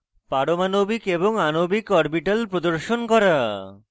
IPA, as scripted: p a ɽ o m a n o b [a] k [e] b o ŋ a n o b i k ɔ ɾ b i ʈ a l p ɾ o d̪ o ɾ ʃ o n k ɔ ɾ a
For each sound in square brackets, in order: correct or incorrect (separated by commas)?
incorrect, correct